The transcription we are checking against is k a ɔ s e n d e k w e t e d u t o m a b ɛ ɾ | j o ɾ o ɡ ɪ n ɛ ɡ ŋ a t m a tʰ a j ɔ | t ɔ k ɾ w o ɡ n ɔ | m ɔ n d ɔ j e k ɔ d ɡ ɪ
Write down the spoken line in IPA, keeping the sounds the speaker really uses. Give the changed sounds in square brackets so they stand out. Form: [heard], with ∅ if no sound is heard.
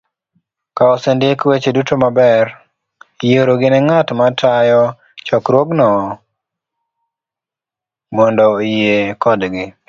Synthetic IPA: k a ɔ s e n d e k w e [t͡ʃ] e d u t o m a b ɛ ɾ | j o ɾ o ɡ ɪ n ɛ [∅] ŋ a t m a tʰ a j ɔ | [t͡ʃ] ɔ k ɾ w o ɡ n ɔ | m ɔ n d ɔ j e k ɔ d ɡ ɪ

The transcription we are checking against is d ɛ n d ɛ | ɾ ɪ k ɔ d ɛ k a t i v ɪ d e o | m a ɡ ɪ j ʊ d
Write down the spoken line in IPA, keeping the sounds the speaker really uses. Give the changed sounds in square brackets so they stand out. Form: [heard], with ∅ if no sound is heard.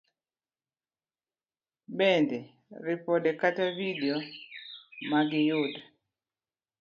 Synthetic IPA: [b] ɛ n d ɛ | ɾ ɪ [p] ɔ d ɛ k a t [a] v [i] d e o | m a ɡ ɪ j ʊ d

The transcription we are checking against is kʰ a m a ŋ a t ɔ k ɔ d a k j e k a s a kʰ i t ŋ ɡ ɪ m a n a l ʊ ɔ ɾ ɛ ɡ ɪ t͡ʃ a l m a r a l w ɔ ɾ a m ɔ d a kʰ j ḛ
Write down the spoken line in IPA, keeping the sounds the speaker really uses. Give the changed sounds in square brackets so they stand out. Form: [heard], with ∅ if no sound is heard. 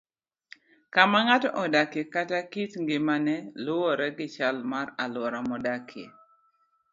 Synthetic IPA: [k] a m a ŋ a t ɔ [ʔ] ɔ d a k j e k a [t] a [k] i t ŋ ɡ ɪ m a n [ɛ] l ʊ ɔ ɾ ɛ ɡ ɪ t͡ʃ a l m a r a l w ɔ ɾ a m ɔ d a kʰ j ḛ

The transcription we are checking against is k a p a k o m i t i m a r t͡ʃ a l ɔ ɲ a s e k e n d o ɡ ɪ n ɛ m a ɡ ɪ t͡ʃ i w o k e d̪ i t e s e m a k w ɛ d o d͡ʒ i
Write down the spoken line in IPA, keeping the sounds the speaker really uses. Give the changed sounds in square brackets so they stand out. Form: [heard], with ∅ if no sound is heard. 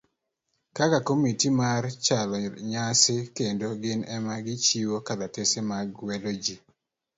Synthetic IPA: k a [k] a k o m i t i m a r t͡ʃ a l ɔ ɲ a s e k e n d o ɡ ɪ n ɛ m a ɡ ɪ t͡ʃ i w o k [a] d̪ [a] t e s e m a [ɡ] w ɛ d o d͡ʒ i

